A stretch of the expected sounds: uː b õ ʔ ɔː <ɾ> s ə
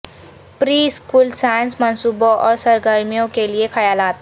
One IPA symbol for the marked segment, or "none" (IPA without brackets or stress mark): ɾ